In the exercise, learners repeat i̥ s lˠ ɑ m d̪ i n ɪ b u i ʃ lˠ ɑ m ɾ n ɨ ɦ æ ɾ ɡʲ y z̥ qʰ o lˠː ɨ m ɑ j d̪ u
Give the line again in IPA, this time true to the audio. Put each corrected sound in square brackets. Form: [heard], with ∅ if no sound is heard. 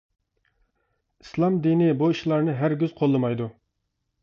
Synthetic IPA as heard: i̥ s lˠ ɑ m d̪ i n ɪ b u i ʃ lˠ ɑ [∅] ɾ n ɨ ɦ æ ɾ ɡʲ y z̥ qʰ o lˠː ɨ m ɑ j d̪ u